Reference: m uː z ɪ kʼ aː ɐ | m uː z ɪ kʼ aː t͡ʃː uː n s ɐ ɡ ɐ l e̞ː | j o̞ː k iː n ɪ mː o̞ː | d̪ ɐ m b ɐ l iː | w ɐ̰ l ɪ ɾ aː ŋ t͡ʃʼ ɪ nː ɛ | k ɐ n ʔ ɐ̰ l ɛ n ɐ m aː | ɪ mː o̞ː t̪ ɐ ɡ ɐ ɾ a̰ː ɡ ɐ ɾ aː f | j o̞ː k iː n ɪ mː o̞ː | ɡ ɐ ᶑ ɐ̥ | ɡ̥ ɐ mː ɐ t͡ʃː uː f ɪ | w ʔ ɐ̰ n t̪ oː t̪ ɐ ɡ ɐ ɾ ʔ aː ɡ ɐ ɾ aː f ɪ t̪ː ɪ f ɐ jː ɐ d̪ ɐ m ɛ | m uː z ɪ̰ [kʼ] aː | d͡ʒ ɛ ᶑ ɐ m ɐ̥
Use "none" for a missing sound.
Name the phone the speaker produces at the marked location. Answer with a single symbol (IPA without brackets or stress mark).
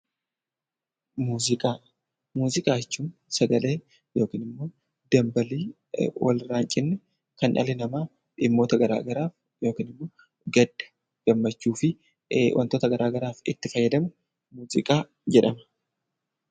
kʼ